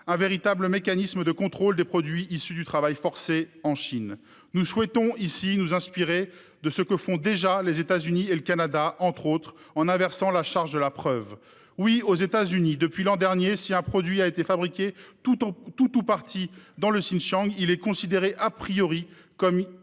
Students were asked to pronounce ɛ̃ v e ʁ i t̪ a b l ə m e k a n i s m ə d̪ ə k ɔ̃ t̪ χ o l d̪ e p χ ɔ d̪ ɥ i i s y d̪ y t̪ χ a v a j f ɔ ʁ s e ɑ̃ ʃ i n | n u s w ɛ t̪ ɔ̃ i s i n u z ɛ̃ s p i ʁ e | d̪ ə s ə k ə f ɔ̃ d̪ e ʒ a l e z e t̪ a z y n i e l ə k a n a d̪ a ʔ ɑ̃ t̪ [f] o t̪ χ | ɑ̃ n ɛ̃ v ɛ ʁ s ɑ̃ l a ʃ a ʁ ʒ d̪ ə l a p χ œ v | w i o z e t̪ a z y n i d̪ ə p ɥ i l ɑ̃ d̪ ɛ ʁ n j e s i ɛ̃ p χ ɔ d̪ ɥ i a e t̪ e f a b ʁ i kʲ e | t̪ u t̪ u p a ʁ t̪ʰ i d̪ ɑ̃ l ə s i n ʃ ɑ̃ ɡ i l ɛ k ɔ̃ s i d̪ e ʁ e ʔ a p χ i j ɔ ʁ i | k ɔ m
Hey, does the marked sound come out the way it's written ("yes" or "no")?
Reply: no